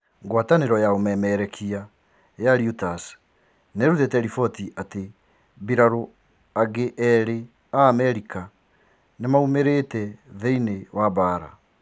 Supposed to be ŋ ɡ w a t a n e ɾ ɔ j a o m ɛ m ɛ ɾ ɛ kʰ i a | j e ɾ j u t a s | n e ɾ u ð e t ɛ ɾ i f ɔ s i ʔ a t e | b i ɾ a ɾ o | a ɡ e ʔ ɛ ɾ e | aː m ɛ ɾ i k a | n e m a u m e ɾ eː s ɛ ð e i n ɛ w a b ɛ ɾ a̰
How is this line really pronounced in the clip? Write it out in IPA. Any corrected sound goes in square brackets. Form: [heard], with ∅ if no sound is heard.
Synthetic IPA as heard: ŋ ɡ w a t a n e ɾ ɔ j a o m ɛ m ɛ ɾ ɛ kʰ i a | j [a] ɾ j u t a s | n e ɾ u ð e t ɛ ɾ i f ɔ [t] i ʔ a t e | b i ɾ a ɾ o | a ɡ e ʔ ɛ ɾ e | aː m ɛ ɾ i k a | n e m a u m e ɾ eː [t] ɛ ð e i n [e] w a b [a] ɾ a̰

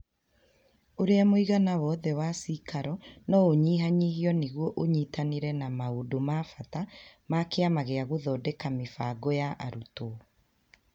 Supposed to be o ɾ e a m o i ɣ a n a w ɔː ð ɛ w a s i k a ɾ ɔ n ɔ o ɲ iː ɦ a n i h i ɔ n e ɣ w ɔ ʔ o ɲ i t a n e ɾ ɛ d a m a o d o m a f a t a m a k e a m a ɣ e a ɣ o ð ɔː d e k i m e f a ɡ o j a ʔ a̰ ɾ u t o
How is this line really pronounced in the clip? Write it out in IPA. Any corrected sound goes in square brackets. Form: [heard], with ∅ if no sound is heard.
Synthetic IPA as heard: o ɾ e a m o i ɣ a n a w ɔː ð ɛ w a s i k a ɾ ɔ n ɔ o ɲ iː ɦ a [ɲ] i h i ɔ n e ɣ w ɔ ʔ o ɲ i t a n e ɾ ɛ [n] a m a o d o m a f a t a m a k e a m a ɣ e a ɣ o ð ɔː d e k [a] m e f a ɡ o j a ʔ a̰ ɾ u t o

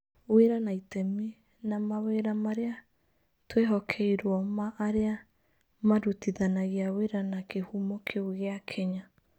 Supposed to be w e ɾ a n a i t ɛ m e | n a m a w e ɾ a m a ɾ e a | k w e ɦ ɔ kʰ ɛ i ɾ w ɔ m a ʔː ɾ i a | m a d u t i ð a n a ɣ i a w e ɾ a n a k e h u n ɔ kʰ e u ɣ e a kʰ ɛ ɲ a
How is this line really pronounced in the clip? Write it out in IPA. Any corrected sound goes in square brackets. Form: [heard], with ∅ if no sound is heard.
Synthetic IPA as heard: w e ɾ a n a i t ɛ m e | n a m a w e ɾ a m a ɾ e a | [t] w e ɦ ɔ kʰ ɛ i ɾ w ɔ m a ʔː ɾ [e] a | m a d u t i ð a n a ɣ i a w e ɾ a n a k e h u [m] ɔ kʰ e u ɣ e a kʰ ɛ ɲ a

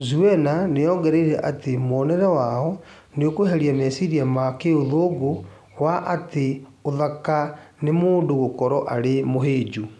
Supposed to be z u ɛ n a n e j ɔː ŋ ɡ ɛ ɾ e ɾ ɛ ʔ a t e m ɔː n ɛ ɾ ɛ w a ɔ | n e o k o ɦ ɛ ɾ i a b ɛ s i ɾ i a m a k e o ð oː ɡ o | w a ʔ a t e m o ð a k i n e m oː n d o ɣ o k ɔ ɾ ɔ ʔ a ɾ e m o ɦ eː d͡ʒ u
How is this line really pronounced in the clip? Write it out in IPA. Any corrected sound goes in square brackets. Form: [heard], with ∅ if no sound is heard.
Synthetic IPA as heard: z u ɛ n a n e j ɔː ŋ ɡ ɛ ɾ e ɾ ɛ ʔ a t e m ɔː n ɛ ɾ ɛ w a ɔ | n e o k o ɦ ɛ ɾ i a [m] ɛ s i ɾ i a m a k e o ð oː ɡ o | w a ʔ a t e [∅] o ð a k [a] n e m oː n d o ɣ o k ɔ ɾ ɔ ʔ a ɾ e m o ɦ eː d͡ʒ u

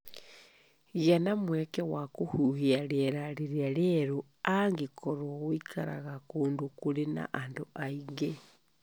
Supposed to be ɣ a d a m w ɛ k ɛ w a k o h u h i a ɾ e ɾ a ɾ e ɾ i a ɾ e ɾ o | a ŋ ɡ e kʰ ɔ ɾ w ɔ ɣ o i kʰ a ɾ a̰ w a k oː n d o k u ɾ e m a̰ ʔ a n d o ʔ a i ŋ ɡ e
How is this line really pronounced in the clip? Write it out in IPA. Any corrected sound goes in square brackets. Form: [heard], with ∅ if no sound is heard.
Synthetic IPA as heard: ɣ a [n] a m w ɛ k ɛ w a k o h u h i a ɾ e ɾ a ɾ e ɾ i a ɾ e ɾ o | a ŋ ɡ e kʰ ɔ ɾ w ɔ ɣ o i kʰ a ɾ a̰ [ɣ] a k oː n d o k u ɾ e [n] a̰ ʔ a n d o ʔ a i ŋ ɡ e

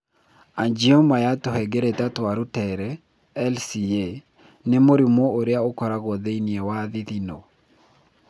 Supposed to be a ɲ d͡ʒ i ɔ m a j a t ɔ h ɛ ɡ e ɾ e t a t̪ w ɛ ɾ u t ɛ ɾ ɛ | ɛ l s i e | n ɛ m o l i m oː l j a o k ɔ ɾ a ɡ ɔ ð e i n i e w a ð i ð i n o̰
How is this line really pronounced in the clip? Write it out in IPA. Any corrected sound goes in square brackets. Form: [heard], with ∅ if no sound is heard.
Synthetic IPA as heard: a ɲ d͡ʒ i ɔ m a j a t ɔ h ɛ ɡ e ɾ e t a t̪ w [a] ɾ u t ɛ ɾ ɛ | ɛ l s i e | n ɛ m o [ɾ] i m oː [ɾ] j a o k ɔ ɾ a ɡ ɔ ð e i n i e w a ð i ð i n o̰

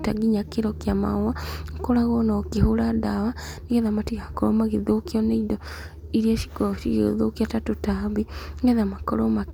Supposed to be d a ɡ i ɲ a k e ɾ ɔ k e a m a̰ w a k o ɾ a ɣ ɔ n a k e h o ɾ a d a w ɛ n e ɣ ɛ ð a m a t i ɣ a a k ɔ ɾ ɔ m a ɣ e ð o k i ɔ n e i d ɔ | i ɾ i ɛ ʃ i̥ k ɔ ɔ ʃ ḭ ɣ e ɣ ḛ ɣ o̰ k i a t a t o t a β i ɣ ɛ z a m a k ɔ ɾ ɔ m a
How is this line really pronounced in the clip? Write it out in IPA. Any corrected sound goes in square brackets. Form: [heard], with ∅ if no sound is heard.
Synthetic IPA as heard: [t] a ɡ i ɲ a k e ɾ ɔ k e a m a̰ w a k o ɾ a ɣ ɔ n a k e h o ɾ a d a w [a] n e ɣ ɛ ð a m a t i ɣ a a k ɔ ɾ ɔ m a ɣ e ð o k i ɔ n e i d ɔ | i ɾ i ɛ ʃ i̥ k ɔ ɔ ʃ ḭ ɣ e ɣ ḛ [ð] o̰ k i a t a t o t a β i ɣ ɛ [ð] a m a k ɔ ɾ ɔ m a

